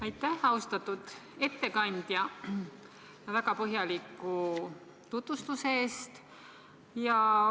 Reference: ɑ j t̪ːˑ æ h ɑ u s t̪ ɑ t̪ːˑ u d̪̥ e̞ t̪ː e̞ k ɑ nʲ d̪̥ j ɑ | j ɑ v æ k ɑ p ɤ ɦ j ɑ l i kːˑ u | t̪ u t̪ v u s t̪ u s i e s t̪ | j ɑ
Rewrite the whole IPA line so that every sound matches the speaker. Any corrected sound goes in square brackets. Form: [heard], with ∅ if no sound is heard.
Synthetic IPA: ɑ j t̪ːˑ æ h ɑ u s t̪ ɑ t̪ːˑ u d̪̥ e̞ t̪ː e̞ k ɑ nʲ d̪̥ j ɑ | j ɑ v æ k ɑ p ɤ ɦ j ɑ l i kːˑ u | t̪ u t̪ v u s t̪ u s [e] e s t̪ | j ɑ